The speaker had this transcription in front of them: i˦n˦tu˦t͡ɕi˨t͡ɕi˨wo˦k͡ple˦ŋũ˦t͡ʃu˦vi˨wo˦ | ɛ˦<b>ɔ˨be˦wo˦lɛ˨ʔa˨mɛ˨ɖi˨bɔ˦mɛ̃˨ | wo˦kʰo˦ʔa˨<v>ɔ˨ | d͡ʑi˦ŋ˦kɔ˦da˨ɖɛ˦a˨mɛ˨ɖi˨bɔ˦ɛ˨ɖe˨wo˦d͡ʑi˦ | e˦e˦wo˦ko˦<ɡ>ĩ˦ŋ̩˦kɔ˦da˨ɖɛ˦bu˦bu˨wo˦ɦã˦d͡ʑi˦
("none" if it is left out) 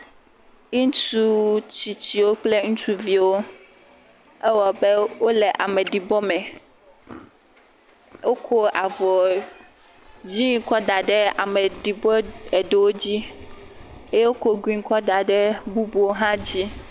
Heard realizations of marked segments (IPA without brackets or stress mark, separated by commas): w, v, ɡ